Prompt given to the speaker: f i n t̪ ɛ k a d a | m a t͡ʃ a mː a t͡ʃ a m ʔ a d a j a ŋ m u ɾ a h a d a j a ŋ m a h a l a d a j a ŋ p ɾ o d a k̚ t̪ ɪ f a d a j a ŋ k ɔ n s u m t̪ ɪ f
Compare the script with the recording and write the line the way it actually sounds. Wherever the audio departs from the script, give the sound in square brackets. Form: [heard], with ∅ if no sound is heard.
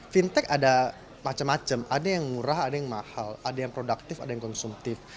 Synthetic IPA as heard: f i n t̪ ɛ k a d a | m a t͡ʃ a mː a t͡ʃ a m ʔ a d a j a ŋ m u ɾ a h a d a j a ŋ m a h a l a d a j a ŋ p ɾ o d a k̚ t̪ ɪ f a d a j a ŋ k ɔ n s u m t̪ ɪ f